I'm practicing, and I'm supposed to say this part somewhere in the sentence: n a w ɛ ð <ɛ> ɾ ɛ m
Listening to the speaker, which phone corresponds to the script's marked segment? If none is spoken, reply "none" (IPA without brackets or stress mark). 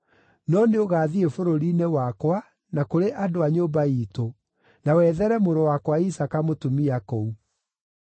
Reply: ɛ